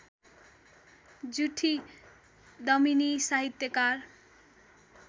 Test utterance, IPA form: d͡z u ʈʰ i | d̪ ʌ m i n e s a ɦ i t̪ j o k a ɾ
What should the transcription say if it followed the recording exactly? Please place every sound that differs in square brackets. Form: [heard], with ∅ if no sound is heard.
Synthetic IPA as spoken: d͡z u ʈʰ i | d̪ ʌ m i n [i] s a ɦ i t̪ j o k a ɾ

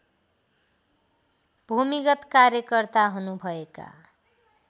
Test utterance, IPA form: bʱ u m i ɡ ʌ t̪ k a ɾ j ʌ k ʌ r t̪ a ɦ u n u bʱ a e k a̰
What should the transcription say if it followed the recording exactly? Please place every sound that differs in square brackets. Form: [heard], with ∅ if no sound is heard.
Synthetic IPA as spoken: bʱ u m i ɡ ʌ t̪ k a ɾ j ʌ k ʌ r t̪ a ɦ u n u bʱ [ʌ] e k a̰

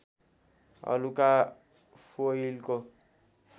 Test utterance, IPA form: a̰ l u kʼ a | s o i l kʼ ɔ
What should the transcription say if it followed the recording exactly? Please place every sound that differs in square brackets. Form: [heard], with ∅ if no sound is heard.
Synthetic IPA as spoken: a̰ l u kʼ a | [f] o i l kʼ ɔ

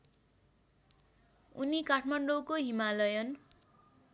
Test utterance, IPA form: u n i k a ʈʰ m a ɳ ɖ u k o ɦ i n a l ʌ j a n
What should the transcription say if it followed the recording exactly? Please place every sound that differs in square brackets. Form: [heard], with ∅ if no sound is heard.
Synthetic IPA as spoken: u n i k a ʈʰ m a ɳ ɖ [o] k o ɦ i [m] a l ʌ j [ʌ] n

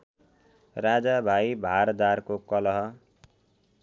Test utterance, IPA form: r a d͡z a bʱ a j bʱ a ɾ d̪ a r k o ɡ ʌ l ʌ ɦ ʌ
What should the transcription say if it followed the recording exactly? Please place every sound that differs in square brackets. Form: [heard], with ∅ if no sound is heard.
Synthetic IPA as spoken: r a d͡z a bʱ a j bʱ a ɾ d̪ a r k o [k] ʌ l ʌ ɦ ʌ

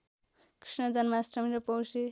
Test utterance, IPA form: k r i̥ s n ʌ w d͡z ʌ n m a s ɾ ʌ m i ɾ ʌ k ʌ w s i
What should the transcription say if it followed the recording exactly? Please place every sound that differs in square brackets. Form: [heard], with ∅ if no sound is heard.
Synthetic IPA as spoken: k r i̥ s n ʌ [∅] d͡z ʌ n m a s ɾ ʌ m i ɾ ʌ [p] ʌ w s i

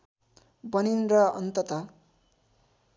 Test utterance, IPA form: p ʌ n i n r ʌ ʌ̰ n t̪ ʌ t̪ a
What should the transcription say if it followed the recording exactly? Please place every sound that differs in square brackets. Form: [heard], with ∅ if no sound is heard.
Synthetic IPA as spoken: [b] ʌ n i n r ʌ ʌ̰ n t̪ ʌ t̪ [ʌ]

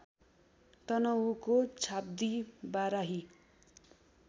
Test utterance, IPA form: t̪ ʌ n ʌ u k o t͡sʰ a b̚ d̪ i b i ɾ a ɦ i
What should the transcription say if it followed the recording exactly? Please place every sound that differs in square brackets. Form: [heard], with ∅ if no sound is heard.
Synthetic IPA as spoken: t̪ ʌ n ʌ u k o t͡sʰ a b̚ d̪ i b [a] ɾ a ɦ i

